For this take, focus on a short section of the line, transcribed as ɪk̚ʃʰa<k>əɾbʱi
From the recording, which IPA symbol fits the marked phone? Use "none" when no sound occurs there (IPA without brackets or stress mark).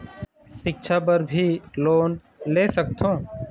p